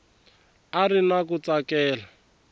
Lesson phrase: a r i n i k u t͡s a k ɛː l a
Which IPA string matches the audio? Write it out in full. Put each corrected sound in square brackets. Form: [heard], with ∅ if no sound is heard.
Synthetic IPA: a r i n [a] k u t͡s a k ɛː l a

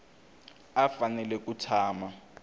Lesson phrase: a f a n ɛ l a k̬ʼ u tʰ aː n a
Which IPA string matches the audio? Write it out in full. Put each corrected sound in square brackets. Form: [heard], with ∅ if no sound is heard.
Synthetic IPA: a f a n ɛ l [ɛ] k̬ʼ u tʰ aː [m] a

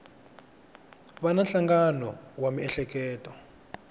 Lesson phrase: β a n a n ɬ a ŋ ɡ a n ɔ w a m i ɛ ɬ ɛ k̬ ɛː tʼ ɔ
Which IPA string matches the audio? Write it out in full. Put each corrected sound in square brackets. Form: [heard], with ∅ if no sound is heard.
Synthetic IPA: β a n a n ɬ a ŋ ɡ a n ɔ w a m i ɛ ɬ ɛ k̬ ɛː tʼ ɔ

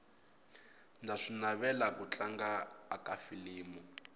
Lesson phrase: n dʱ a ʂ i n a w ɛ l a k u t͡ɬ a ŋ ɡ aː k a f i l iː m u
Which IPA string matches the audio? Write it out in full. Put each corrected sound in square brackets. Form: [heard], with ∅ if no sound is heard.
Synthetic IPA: n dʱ a ʂ i n a [β] ɛ l a k u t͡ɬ a ŋ ɡ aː k a f i l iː m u

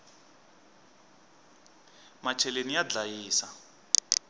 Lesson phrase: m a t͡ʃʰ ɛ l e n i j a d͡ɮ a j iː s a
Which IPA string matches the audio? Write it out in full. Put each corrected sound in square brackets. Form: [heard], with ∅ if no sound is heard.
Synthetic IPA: m a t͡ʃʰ ɛ l e n i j a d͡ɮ a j iː s a

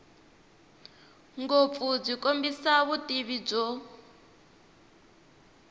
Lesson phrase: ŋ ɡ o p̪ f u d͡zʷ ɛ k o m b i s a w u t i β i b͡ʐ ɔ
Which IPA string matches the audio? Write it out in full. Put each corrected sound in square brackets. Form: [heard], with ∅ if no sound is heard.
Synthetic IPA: ŋ ɡ o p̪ f u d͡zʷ [i] k o m b i s a [β] u t i β i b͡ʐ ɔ

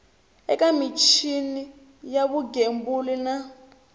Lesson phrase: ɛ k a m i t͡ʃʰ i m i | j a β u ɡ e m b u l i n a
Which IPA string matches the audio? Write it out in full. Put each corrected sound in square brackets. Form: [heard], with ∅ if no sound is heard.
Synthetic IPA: ɛ k a m i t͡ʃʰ i [n] i | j a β u ɡ e m b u l i n a

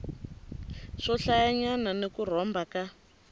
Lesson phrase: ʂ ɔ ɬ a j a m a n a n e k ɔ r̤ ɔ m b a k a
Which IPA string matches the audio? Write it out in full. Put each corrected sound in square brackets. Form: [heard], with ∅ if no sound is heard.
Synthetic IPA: ʂ ɔ ɬ a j a [ɲ] a n a n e k [u] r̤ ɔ m b a k a

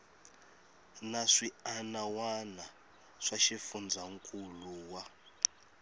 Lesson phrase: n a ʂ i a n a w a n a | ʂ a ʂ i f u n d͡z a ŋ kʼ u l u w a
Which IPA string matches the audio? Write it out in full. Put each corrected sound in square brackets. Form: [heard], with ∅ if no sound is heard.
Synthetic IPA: n a ʂ i a n a w a n a | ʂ a [ʃ] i f u n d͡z a ŋ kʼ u l u w a

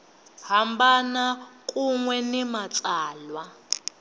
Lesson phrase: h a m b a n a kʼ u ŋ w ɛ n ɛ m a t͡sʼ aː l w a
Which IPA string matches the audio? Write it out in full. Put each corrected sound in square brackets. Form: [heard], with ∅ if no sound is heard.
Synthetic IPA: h a m b a n a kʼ u ŋ w ɛ n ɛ m a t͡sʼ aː l w a

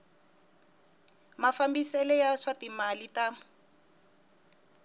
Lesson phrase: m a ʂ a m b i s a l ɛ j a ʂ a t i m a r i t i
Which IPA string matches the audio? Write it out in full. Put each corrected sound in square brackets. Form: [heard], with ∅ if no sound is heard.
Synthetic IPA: m a [f] a m b i s [ɛ] l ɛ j a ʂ a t i m a [l] i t [a]

